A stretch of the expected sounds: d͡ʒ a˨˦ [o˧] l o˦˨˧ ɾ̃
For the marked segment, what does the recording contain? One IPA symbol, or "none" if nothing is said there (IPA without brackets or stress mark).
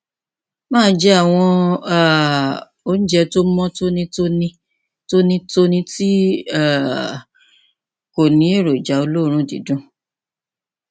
o˧